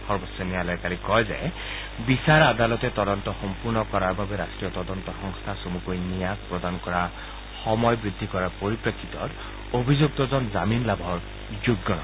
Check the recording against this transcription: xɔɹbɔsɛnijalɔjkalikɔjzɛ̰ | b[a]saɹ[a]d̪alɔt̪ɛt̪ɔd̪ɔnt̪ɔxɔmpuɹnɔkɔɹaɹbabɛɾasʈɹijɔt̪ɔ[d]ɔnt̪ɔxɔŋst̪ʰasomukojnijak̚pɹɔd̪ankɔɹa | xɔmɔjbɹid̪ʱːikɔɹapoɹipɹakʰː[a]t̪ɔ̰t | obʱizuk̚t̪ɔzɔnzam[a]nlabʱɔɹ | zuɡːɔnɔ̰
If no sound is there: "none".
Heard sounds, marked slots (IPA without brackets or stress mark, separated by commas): i, a, d, i, i